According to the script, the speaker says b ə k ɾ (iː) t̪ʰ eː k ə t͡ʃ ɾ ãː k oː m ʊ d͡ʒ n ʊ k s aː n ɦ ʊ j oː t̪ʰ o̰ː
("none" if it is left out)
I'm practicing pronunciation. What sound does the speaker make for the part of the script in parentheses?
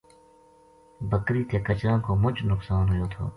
iː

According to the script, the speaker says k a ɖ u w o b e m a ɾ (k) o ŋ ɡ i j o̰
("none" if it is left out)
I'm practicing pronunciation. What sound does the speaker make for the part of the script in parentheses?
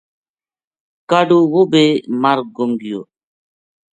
ɡ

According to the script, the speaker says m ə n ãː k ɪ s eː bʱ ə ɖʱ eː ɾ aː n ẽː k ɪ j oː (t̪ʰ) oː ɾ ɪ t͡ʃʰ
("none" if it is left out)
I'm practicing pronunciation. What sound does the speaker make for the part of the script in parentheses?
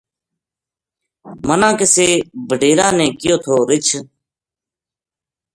t̪ʰ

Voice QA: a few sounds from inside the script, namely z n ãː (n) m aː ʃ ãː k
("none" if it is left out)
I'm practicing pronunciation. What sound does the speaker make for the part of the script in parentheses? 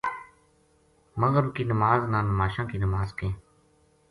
n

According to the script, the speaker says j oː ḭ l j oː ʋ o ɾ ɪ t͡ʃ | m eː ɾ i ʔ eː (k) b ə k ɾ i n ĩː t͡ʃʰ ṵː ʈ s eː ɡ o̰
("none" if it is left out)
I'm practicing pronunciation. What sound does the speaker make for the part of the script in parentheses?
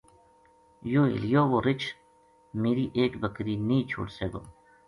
k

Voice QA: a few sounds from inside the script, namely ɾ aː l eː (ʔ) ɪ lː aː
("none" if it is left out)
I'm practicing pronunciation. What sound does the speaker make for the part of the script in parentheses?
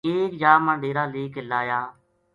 k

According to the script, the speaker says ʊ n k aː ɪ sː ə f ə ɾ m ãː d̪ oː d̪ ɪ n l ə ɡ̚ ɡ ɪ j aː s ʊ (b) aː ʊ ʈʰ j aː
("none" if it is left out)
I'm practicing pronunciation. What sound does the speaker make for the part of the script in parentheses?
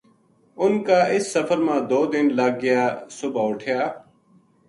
b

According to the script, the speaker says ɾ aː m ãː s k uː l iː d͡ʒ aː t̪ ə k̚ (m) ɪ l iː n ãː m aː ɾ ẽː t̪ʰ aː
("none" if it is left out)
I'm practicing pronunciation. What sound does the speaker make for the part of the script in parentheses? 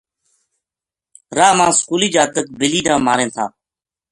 b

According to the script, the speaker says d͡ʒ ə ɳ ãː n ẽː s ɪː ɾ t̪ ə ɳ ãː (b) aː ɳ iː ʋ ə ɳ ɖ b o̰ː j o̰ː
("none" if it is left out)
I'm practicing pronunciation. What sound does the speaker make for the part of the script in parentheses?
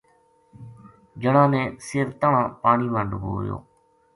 p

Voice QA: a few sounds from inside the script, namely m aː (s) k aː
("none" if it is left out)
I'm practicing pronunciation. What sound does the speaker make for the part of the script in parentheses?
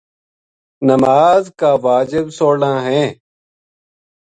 z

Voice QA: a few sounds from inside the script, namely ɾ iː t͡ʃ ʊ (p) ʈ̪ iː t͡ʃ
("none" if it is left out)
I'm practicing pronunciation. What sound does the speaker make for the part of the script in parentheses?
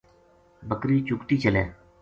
k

